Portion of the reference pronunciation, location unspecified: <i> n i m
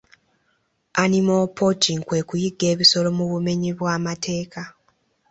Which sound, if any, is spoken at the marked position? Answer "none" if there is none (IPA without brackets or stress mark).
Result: a